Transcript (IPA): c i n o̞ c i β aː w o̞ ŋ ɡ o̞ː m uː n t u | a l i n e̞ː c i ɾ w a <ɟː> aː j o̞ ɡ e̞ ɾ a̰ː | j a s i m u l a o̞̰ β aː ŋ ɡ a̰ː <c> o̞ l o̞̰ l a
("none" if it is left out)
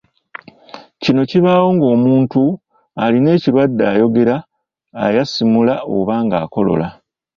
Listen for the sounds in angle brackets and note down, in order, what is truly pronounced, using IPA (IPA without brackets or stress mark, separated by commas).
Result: dː, k